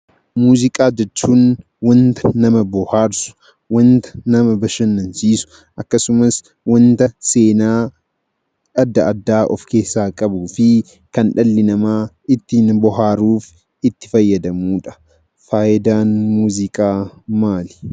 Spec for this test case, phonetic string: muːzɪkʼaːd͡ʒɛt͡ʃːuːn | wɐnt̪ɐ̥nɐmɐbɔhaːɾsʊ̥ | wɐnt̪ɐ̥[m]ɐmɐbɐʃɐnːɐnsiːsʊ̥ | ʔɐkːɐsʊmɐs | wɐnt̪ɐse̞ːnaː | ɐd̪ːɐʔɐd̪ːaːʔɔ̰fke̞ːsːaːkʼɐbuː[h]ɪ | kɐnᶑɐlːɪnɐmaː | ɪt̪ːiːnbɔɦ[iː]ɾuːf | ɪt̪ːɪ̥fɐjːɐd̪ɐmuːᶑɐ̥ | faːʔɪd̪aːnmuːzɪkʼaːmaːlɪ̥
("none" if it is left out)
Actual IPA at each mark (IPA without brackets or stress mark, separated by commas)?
n, f, aː